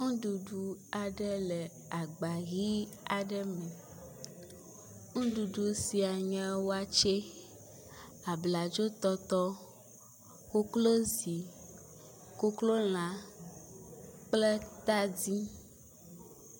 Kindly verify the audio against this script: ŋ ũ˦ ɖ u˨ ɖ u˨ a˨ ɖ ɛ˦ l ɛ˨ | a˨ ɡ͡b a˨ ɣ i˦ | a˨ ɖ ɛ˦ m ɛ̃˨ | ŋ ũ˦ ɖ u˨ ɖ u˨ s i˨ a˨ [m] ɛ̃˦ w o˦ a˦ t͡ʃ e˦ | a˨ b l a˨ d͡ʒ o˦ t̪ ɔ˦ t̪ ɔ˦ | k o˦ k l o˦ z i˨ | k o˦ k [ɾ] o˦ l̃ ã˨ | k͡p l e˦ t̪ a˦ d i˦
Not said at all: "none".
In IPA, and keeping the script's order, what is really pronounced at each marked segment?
ɲ, l

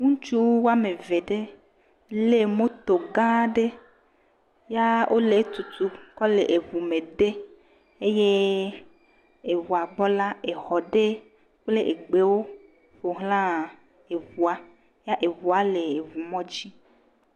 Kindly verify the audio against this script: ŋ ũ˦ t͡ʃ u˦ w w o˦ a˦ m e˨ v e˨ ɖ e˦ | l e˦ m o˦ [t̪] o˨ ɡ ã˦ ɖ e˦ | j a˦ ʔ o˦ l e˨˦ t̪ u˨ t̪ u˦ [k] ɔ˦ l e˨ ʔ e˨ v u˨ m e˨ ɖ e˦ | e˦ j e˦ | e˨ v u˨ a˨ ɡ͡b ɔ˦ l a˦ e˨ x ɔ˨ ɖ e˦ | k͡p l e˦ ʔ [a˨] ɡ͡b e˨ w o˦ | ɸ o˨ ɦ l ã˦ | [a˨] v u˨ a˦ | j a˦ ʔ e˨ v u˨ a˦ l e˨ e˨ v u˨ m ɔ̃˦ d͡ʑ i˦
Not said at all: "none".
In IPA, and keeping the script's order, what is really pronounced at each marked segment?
t̪, k, e˨, e˨

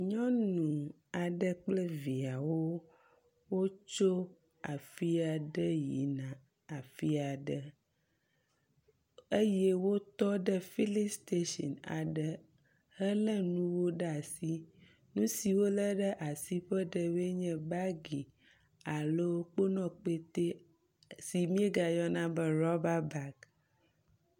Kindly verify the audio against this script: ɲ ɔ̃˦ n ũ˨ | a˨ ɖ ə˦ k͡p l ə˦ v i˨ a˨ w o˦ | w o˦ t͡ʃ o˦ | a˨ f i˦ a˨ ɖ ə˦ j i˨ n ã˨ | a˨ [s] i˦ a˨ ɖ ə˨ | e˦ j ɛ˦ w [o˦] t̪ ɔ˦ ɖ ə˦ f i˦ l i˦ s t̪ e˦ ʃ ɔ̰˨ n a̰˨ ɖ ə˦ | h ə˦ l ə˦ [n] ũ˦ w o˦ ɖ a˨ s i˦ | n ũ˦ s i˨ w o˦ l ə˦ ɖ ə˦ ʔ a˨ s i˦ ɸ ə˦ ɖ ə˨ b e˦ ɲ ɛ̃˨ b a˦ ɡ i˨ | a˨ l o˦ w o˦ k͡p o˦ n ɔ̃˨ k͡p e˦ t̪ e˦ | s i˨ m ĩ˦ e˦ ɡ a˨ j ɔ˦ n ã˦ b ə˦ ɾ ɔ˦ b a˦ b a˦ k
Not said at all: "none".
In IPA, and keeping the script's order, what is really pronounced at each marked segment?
f, o˦, n

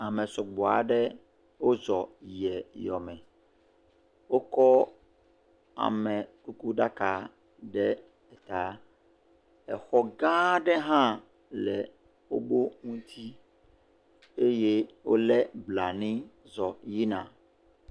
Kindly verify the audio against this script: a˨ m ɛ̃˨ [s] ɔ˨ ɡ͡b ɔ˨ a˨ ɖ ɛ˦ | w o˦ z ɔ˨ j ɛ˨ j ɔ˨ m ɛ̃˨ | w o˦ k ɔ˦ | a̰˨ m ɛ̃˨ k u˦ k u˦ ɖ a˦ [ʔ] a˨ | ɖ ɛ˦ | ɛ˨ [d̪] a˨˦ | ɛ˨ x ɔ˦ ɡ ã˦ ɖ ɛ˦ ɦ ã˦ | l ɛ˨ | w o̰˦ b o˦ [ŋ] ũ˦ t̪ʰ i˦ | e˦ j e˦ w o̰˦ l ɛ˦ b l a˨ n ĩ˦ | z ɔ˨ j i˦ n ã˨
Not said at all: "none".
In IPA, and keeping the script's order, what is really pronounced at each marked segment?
s, k, t̪, ŋ

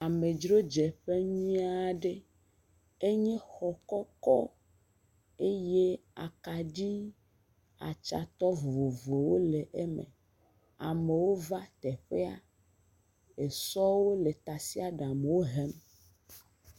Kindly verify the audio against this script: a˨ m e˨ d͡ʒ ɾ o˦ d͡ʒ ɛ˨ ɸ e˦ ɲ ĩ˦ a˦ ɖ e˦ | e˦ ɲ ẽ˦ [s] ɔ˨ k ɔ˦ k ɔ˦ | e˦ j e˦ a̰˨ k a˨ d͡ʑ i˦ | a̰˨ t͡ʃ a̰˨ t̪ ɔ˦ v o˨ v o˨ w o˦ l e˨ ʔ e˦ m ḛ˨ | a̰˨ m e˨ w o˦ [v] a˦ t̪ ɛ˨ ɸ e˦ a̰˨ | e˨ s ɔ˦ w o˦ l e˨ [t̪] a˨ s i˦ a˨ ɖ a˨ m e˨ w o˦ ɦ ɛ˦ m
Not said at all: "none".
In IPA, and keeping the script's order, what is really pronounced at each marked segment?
x, v, t̪

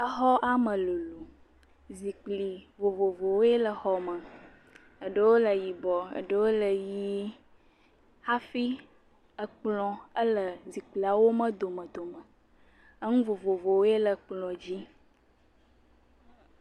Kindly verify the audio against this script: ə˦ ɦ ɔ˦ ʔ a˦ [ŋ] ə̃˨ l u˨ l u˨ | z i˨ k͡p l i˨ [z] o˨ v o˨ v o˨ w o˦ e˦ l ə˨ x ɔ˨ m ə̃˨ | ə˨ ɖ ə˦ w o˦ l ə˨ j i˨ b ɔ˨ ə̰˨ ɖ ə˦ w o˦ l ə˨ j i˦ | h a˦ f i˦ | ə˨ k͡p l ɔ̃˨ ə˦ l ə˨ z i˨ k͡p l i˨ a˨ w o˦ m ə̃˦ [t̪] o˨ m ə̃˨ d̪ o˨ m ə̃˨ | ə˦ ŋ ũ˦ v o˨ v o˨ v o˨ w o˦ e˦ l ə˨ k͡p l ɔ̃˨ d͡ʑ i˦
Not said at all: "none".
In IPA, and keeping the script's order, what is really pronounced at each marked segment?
m, v, d̪

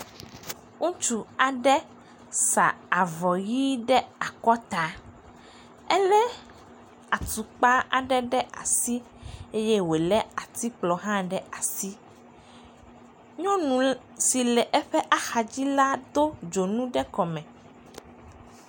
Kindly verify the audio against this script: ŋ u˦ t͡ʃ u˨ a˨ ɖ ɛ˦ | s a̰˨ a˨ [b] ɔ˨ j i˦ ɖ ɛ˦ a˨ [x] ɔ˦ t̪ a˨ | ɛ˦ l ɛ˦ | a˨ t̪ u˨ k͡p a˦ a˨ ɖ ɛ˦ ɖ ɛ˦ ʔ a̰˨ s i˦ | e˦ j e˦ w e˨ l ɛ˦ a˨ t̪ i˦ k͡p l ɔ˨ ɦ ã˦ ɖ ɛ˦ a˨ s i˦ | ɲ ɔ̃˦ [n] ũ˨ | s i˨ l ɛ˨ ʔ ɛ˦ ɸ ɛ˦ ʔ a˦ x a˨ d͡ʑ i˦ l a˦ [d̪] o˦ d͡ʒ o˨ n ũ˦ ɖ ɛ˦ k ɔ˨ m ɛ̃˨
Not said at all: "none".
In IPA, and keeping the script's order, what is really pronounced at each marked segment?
v, k, n, d̪

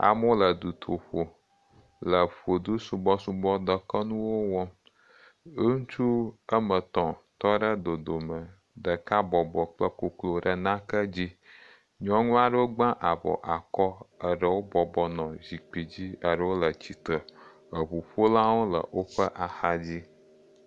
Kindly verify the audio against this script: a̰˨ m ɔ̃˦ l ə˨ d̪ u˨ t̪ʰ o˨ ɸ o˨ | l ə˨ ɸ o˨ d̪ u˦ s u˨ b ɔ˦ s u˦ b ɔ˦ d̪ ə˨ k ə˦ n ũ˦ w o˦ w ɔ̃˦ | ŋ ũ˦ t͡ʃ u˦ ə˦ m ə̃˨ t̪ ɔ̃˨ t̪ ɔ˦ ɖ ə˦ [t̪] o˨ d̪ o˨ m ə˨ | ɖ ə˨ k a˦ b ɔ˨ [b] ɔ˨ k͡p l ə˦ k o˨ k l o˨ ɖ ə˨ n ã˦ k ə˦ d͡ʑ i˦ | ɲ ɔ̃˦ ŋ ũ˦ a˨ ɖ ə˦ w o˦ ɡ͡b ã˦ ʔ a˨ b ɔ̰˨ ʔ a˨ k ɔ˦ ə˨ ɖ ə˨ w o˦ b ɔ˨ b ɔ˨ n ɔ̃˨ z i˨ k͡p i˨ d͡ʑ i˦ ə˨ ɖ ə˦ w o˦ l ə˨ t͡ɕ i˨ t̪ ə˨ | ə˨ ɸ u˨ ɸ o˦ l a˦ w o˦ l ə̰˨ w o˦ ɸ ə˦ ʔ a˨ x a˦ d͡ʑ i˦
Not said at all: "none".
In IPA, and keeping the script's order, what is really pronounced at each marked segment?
d̪, b

